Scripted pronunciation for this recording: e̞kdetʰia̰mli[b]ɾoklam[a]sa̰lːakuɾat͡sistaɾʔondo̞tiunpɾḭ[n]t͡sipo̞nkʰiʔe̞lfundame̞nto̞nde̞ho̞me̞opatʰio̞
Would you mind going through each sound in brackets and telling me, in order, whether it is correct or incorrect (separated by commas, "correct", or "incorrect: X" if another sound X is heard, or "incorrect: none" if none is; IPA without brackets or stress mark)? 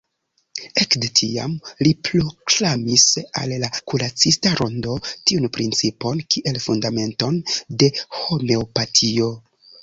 incorrect: p, incorrect: i, correct